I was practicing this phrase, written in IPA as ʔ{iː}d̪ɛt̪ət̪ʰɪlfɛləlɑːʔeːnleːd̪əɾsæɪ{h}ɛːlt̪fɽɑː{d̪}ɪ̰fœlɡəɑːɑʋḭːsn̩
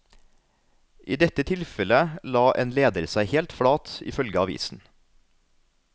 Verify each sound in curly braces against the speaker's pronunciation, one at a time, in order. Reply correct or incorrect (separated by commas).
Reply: correct, correct, incorrect